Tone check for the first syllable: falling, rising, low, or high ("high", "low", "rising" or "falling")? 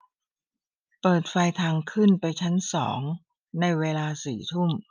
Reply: low